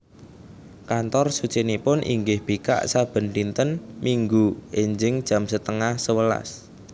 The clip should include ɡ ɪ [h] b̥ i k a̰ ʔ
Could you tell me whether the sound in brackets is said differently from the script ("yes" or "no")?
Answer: no